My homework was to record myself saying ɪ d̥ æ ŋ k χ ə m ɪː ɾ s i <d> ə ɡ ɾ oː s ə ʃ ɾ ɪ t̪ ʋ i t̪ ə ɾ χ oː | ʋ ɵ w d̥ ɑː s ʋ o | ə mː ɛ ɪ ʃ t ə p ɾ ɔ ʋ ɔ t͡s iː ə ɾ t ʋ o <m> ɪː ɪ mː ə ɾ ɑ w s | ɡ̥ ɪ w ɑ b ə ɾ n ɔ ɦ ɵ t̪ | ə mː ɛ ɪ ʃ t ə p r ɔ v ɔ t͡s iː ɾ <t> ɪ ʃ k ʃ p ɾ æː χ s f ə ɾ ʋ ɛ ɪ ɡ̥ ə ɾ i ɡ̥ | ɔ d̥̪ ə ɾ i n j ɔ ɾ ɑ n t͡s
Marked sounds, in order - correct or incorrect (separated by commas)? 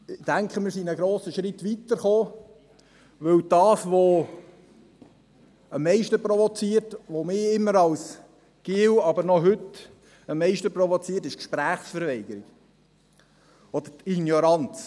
incorrect, correct, correct